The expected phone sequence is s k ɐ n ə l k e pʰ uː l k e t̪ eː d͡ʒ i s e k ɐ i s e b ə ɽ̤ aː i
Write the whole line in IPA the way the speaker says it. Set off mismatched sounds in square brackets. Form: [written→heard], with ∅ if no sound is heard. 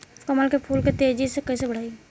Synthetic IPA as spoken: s k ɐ [n→m] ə l k e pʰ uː l k e t̪ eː d͡ʒ i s e k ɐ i s e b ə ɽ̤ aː i